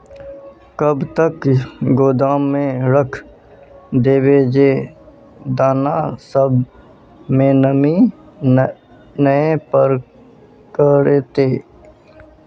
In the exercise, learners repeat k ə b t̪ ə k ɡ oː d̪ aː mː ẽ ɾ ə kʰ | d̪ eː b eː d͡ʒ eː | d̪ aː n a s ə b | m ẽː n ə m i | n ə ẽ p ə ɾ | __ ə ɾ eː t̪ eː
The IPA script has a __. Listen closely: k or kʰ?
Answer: k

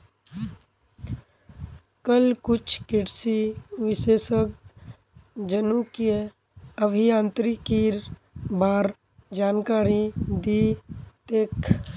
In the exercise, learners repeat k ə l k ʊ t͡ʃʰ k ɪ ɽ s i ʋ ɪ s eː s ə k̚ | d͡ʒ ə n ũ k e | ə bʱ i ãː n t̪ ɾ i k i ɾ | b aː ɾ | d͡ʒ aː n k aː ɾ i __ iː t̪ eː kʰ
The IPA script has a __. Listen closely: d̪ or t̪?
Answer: d̪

